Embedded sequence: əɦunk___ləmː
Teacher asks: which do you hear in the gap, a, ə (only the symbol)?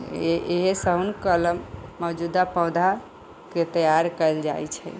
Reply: ə